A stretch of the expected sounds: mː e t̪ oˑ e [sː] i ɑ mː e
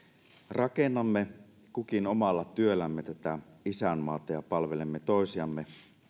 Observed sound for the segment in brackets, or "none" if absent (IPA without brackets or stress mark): s